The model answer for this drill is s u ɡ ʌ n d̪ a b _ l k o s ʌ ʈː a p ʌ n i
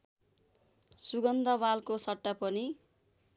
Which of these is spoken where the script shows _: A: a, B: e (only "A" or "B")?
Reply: A